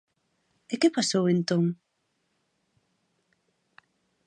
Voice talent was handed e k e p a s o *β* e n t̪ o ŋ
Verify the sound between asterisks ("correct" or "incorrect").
incorrect